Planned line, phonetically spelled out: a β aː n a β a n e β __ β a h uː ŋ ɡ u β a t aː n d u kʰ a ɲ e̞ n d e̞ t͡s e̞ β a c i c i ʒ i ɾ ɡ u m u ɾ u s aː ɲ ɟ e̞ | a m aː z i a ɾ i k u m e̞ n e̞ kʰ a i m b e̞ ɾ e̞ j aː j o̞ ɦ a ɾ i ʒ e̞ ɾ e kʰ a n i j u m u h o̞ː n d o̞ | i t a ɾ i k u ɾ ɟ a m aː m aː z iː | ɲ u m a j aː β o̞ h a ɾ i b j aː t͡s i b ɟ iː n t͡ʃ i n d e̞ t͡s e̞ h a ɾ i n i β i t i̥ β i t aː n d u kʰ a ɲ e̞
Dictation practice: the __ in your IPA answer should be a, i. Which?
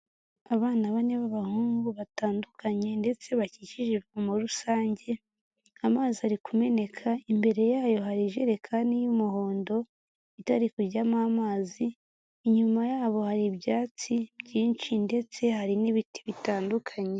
a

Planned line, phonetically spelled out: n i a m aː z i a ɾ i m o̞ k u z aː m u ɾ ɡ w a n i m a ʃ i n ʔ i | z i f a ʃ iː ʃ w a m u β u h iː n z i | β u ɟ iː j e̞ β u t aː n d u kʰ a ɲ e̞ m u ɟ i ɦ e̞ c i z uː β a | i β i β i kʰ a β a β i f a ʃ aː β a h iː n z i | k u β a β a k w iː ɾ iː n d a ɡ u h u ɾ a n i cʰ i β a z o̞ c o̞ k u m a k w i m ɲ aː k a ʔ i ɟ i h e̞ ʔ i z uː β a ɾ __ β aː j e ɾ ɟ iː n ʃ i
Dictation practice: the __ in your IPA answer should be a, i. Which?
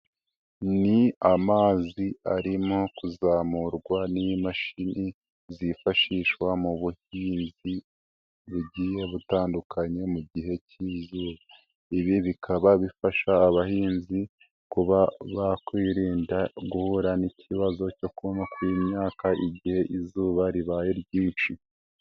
i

